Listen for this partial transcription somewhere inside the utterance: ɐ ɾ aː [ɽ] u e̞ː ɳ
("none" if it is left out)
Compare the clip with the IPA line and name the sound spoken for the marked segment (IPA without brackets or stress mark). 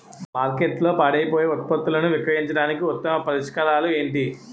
l